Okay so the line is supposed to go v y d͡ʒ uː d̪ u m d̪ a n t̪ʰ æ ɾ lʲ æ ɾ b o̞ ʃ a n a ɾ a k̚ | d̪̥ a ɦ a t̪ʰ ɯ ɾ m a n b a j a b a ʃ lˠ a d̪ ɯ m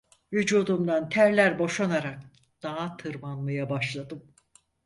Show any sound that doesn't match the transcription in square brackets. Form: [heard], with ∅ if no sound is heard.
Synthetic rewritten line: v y d͡ʒ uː d̪ u m d̪ a n t̪ʰ æ ɾ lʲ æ ɾ b o̞ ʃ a n a ɾ a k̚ | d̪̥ a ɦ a t̪ʰ ɯ ɾ m a n [m] a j a b a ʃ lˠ a d̪ ɯ m